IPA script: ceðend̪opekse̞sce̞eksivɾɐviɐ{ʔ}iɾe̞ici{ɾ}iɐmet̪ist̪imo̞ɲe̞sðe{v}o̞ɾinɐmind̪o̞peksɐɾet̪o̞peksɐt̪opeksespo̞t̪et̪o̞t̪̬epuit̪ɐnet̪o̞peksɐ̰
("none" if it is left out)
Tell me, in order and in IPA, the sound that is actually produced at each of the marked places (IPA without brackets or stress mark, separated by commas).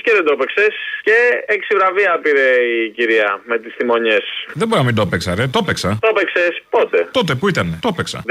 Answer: p, ɾ, b